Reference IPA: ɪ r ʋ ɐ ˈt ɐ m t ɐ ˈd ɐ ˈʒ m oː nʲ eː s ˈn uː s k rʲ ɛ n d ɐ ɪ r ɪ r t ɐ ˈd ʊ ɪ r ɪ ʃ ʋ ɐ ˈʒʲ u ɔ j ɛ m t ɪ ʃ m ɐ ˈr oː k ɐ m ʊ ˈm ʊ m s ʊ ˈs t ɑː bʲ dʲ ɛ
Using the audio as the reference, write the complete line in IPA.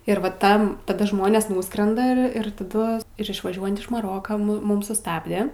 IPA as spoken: ɪ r ʋ ɐ ˈt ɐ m t ɐ ˈd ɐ ˈʒ m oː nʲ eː s ˈn uː s k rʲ ɛ n d ɐ ɪ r ɪ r t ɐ ˈd ʊ ɪ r ɪ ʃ ʋ ɐ ˈʒʲ u ɔ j ɛ n t ɪ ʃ m ɐ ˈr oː k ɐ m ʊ ˈm ʊ m s ʊ ˈs t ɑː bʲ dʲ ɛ